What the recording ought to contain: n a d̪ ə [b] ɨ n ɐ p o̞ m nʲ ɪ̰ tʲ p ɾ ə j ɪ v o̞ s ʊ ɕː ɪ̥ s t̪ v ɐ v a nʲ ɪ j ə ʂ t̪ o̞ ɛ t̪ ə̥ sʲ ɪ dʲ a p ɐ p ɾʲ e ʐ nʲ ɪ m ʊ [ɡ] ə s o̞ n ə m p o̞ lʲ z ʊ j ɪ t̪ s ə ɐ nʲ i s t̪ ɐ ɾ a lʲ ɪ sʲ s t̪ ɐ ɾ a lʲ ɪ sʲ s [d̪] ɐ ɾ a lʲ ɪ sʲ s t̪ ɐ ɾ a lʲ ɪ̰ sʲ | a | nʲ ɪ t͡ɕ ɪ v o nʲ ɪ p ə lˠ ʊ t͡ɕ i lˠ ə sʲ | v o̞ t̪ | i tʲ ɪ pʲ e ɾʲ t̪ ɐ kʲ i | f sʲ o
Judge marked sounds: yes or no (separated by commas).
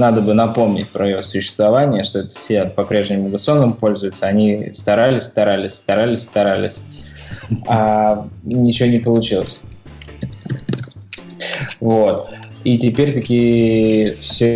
yes, yes, no